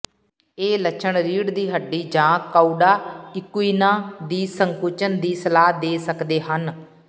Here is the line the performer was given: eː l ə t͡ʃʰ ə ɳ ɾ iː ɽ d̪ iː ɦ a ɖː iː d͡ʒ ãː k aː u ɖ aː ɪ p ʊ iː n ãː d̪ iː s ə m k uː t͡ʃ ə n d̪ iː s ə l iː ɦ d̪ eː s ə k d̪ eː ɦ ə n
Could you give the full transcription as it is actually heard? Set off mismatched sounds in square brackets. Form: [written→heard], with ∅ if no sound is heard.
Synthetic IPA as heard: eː l ə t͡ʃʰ ə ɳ ɾ iː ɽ d̪ iː ɦ [a→ə] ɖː iː d͡ʒ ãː k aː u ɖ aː ɪ [p→k] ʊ iː n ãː d̪ iː s ə [m→ŋ] k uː t͡ʃ ə n d̪ iː s ə l [iː→aː] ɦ d̪ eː s ə k d̪ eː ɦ ə n